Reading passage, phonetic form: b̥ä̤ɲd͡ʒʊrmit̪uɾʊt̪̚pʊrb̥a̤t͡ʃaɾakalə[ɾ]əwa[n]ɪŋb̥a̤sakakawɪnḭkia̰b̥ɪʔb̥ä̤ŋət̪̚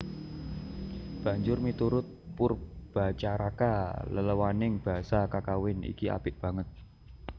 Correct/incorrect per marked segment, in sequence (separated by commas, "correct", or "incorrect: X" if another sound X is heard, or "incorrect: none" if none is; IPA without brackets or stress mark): incorrect: l, correct